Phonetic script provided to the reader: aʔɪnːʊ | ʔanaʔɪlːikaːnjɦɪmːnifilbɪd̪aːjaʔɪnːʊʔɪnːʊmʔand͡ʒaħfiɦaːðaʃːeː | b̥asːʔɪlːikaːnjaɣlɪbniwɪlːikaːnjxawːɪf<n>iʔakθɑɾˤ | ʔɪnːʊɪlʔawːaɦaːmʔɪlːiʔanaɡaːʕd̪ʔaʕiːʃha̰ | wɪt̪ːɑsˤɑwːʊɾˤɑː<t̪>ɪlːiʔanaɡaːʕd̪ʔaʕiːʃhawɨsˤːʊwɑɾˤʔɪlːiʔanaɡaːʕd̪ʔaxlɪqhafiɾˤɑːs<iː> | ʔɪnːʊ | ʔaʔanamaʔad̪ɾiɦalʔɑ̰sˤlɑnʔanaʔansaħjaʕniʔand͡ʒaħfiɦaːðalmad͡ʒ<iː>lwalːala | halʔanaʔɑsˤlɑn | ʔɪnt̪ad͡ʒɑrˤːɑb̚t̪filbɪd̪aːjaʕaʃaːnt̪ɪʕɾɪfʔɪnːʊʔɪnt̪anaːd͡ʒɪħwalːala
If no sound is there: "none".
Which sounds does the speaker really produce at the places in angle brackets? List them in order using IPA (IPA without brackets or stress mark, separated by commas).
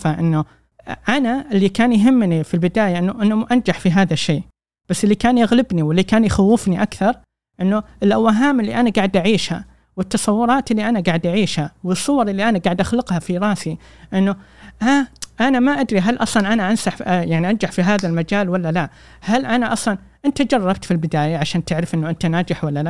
n, t̪, i, aː